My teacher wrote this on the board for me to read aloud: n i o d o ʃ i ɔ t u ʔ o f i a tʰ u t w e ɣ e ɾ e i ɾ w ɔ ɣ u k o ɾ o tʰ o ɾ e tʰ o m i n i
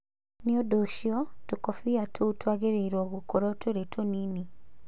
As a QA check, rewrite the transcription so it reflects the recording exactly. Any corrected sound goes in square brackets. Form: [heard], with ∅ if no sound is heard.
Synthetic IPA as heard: n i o d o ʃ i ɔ t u [k] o f i a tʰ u t w [a] ɣ e ɾ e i ɾ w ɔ ɣ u k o ɾ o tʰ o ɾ e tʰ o [n] i n i